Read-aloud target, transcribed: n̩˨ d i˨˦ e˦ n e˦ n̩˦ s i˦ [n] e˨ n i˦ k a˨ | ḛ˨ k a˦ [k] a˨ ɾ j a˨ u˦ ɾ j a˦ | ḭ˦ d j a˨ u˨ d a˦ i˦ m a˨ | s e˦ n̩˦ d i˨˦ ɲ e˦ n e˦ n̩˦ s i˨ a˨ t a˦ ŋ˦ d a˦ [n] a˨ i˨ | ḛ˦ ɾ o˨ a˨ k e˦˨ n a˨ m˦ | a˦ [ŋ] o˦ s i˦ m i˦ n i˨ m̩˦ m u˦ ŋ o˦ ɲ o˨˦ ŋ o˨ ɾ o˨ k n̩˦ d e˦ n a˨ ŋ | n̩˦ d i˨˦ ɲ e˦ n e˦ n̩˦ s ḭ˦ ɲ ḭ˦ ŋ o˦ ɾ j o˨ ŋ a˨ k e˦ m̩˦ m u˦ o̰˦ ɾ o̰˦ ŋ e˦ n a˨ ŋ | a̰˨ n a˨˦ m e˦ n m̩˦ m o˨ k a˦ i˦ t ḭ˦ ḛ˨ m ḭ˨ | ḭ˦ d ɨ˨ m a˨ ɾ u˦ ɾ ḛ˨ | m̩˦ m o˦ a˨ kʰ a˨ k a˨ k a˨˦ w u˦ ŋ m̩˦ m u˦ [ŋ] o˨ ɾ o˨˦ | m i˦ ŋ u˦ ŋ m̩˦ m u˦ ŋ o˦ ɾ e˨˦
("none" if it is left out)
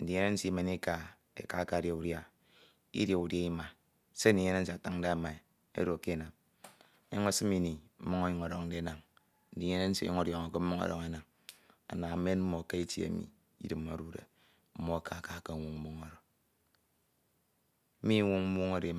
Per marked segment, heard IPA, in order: m, k, m, ŋ, ŋ

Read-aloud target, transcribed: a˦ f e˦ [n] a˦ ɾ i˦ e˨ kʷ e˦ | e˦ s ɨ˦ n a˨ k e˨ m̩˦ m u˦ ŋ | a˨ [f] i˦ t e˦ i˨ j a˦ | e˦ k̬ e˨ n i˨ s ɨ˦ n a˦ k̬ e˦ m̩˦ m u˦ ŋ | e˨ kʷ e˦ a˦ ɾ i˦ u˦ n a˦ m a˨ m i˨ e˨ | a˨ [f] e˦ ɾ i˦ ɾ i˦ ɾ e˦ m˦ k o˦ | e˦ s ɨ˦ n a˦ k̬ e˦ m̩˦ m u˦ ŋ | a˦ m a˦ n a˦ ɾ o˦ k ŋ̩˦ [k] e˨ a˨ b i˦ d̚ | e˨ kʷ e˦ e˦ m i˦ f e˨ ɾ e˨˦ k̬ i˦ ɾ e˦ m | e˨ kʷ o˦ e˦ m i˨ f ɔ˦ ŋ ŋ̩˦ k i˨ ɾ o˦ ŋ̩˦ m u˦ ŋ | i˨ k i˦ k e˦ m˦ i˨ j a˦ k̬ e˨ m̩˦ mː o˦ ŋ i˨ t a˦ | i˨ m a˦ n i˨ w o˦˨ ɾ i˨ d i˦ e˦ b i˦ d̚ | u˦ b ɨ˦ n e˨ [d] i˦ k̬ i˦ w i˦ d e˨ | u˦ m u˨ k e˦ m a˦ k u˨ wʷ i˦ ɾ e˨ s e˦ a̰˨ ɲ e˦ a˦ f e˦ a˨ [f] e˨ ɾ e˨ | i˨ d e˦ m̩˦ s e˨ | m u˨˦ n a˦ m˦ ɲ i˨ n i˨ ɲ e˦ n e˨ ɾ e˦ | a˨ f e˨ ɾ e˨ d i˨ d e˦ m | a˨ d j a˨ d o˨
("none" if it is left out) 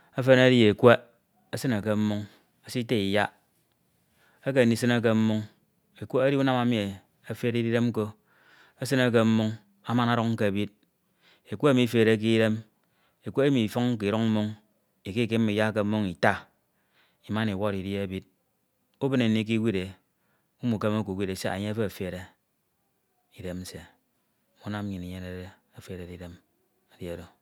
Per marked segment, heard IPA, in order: n, s, f, k, n, f

